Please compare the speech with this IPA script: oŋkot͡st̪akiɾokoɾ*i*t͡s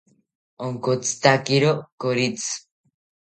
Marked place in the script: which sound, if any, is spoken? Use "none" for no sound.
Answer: i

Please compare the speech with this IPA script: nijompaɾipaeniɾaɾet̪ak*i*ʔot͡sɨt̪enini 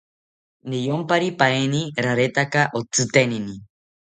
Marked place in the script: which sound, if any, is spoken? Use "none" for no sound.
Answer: a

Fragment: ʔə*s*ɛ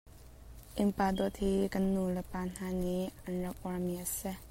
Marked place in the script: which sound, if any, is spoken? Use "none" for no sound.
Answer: s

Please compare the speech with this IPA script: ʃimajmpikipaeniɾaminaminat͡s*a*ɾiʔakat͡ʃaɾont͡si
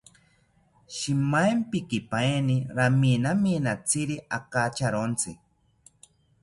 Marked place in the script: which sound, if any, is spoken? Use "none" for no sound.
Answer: i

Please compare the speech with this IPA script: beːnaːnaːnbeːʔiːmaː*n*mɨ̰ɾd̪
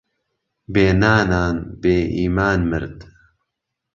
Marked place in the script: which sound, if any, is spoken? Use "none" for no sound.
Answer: n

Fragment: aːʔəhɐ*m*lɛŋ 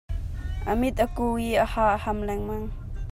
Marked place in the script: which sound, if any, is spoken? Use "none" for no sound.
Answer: m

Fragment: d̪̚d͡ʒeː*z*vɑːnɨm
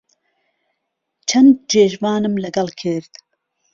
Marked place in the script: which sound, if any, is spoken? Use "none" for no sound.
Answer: ʒ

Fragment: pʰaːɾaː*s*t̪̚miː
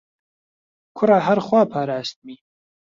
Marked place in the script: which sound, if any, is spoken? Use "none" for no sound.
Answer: s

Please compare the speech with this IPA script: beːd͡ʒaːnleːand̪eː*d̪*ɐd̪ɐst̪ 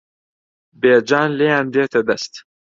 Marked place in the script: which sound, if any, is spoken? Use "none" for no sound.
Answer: t̪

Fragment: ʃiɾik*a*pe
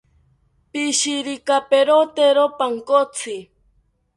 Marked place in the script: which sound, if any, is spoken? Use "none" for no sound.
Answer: a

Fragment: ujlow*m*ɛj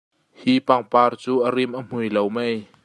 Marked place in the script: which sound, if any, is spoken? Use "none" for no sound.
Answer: m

